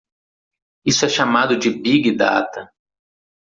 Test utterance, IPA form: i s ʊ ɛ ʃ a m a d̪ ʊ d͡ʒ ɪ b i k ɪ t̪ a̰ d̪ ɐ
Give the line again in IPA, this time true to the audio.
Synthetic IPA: i s ʊ ɛ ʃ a m a d̪ ʊ d͡ʒ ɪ b i ɡ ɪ d̪ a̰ t̪ ɐ